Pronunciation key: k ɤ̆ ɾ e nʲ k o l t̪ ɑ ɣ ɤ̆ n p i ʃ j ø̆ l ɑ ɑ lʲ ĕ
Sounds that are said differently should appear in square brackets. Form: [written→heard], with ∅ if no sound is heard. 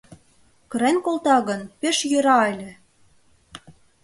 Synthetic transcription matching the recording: k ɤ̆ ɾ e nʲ k o l t̪ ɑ ɣ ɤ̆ n p [i→e] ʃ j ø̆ [l→ɾ] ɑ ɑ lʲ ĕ